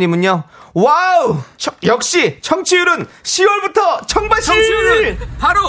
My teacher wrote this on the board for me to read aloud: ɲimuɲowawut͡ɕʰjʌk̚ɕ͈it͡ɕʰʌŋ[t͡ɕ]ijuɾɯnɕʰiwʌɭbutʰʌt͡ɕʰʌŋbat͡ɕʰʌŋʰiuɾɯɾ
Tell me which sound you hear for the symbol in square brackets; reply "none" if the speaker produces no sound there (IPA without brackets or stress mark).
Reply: t͡ɕʰ